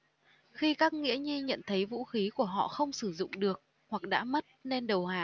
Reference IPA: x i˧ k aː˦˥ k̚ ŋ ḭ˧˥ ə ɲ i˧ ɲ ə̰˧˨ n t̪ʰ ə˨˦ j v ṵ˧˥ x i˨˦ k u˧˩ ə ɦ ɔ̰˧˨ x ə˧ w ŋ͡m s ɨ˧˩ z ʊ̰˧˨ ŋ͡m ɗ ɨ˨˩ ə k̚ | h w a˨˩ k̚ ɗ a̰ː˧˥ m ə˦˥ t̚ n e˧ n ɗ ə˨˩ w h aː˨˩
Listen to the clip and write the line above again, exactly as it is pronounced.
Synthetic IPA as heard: x i˧ k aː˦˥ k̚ ŋ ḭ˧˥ ə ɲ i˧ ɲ ə̰˧˨ n t̪ʰ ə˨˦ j v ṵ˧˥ x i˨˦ k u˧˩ ə ɦ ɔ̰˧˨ x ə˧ w ŋ͡m s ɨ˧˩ z ʊ̰˧˨ ŋ͡m ɗ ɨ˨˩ ə k̚ | h w a˨˩ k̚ ɗ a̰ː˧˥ m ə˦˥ t̚ n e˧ n ɗ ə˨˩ w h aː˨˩